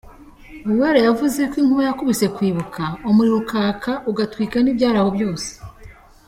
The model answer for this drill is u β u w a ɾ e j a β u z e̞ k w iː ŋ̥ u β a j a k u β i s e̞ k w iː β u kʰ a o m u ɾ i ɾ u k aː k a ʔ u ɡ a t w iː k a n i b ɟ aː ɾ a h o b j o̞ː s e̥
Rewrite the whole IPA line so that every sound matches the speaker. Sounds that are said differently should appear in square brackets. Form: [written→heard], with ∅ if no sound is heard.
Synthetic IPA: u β u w a ɾ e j a [β→v] u z e̞ k w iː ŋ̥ u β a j a k u β i s e̞ k w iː β u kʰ a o m u ɾ i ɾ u k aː k a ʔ u ɡ a t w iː k a n i b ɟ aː ɾ a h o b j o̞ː s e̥